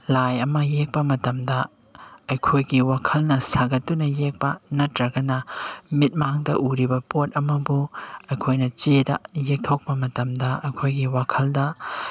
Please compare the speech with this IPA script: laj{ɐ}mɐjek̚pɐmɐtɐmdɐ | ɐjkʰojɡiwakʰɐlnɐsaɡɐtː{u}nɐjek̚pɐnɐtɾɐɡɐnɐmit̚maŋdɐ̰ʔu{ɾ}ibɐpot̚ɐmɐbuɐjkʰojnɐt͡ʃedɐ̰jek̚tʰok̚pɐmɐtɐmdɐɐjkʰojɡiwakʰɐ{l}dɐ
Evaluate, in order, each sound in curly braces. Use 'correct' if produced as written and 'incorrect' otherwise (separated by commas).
correct, correct, correct, correct